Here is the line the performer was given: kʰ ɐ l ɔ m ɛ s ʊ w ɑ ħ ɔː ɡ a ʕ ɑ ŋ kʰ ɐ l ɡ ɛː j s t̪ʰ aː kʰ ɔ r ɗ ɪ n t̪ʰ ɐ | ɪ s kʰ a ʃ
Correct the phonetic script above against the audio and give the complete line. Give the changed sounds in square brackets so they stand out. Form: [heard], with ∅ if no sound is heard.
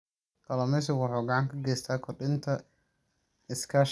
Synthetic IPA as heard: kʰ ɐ l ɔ m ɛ s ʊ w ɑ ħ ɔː ɡ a ʕ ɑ ŋ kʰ ɐ [∅] ɡ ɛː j s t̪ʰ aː kʰ ɔ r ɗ ɪ n t̪ʰ ɐ | ɪ s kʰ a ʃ